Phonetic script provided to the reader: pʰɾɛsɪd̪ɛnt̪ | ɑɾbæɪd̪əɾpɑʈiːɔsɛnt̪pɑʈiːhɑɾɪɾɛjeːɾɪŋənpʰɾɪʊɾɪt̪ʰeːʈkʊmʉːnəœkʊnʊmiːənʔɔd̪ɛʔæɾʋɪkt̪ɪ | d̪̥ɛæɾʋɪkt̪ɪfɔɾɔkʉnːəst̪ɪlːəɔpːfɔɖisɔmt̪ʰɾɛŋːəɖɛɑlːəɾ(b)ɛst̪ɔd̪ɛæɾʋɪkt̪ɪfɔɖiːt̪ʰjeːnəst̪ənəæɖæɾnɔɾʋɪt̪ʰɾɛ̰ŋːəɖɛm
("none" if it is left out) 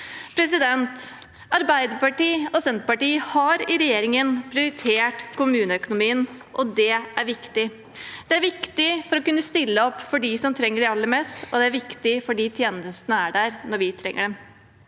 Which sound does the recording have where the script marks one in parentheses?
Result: m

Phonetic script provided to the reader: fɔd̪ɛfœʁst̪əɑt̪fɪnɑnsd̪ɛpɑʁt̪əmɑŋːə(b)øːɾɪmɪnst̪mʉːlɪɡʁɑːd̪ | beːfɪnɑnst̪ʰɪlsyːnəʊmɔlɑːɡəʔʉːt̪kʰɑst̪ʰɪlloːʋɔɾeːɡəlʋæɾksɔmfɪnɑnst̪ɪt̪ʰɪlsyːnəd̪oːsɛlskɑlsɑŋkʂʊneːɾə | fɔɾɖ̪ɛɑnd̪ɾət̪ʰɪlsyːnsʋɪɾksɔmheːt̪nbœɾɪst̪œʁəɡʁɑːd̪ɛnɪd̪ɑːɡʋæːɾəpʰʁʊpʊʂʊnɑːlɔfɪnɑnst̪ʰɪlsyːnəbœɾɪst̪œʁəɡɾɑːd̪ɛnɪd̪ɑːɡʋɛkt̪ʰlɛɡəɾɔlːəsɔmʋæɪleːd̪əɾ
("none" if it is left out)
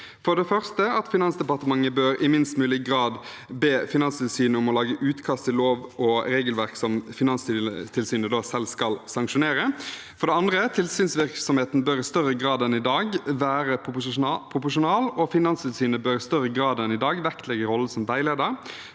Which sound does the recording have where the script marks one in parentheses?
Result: b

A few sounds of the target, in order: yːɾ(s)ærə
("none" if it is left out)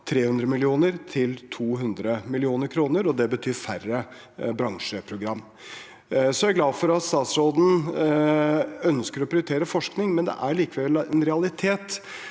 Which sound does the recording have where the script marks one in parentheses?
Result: f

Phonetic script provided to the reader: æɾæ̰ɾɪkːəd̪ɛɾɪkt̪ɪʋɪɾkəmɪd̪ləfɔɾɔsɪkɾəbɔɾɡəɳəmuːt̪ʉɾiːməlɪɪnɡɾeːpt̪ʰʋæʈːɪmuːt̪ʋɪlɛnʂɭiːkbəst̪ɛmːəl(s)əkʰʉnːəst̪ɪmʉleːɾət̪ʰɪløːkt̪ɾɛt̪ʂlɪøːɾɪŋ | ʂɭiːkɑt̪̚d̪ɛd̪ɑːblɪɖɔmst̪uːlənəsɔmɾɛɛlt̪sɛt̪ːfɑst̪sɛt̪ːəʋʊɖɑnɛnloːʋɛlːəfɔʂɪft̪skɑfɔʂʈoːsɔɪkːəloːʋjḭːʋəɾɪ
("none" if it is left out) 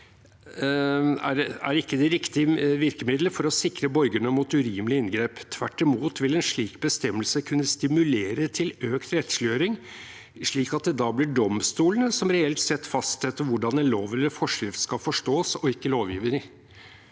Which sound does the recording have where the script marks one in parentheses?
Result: s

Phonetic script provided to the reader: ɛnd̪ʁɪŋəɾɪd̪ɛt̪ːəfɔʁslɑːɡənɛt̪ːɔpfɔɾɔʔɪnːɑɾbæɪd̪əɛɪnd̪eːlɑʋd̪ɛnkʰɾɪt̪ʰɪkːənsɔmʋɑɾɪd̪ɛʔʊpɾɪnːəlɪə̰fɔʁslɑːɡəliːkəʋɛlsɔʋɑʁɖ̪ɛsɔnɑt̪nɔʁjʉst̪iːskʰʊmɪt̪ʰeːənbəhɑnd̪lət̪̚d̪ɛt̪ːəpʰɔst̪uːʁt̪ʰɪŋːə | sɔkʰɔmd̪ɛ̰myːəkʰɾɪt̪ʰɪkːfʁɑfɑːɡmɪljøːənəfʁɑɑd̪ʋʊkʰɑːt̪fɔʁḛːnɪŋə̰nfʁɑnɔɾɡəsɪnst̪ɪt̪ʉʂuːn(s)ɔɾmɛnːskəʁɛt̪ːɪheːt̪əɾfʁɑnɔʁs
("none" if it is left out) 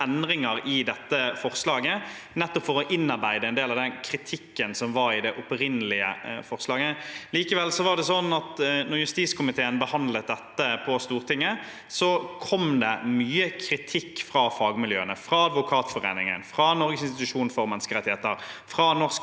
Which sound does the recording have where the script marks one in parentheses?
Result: f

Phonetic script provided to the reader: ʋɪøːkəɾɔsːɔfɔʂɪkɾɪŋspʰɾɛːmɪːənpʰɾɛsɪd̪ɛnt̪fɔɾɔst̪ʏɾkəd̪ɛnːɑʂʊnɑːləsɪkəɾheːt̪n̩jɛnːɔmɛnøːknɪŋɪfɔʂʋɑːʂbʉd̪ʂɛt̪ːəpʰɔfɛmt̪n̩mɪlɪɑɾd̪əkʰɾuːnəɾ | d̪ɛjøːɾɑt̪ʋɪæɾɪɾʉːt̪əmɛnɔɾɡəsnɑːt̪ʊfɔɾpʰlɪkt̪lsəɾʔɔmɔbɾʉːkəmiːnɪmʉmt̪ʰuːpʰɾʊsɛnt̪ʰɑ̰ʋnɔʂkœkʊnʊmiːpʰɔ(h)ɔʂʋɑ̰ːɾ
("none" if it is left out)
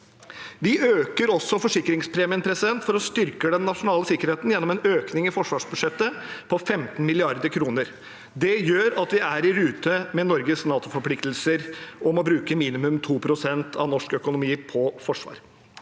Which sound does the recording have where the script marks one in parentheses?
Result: f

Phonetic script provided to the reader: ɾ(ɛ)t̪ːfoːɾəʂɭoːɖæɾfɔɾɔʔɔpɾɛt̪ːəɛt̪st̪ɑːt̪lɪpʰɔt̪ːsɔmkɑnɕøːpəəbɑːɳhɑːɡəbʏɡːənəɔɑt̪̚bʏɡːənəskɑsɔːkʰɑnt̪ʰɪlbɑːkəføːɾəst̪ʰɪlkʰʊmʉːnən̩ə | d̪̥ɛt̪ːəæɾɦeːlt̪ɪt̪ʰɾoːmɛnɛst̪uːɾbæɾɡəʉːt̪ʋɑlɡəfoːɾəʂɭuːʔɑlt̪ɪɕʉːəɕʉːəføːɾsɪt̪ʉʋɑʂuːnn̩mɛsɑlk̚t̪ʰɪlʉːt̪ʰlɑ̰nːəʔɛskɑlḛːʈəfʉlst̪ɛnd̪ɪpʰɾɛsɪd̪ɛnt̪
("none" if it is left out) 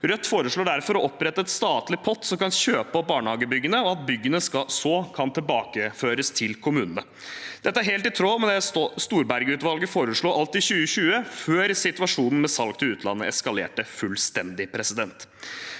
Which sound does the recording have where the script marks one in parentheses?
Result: œ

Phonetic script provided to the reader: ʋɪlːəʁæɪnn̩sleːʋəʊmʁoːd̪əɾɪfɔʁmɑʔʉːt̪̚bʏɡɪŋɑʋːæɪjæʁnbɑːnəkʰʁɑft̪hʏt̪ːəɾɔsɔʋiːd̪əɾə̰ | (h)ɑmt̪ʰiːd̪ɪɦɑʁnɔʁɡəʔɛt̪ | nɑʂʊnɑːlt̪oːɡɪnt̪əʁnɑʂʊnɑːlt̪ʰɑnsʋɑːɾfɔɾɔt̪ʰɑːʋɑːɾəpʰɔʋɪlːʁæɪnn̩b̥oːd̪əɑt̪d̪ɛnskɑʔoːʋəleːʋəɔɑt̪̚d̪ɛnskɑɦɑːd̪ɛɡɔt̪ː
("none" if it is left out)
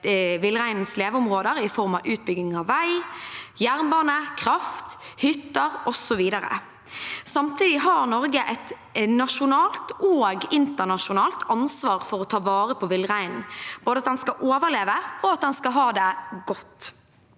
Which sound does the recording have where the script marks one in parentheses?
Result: s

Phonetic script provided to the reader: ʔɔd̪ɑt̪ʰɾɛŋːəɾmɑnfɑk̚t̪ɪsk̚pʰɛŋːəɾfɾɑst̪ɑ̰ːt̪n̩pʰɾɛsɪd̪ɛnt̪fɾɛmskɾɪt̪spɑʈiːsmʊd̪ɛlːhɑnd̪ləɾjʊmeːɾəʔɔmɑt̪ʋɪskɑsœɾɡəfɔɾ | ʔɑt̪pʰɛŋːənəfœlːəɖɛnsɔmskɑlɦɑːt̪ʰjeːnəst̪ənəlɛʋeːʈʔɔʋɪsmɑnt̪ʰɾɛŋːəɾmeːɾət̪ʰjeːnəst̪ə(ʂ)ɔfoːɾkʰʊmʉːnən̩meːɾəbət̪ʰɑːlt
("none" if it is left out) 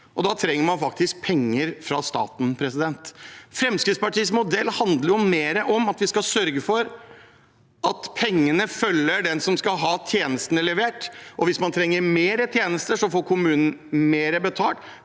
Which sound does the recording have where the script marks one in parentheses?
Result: ʂ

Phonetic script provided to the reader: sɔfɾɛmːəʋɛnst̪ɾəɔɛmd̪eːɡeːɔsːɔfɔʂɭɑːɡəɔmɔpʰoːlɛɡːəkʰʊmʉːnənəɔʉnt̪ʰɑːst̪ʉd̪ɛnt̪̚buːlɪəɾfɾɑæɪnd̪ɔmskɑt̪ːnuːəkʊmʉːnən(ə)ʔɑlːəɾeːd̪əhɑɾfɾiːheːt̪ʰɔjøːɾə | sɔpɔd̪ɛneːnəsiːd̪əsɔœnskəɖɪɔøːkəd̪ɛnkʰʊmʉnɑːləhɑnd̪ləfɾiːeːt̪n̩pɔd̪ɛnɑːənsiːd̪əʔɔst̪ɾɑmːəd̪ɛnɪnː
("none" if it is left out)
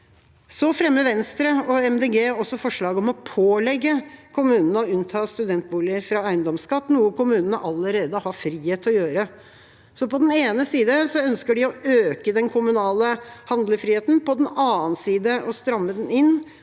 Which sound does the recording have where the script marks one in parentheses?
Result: ə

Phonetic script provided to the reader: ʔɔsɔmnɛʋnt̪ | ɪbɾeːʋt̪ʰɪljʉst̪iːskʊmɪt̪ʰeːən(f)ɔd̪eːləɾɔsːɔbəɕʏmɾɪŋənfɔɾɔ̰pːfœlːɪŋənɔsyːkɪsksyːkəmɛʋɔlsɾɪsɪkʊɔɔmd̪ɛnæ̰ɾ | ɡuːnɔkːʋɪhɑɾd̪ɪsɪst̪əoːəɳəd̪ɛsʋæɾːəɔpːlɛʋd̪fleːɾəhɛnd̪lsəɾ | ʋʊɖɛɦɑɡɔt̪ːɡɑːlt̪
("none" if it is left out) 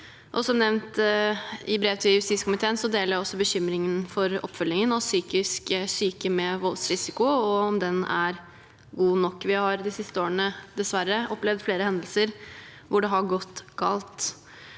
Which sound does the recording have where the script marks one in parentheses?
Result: s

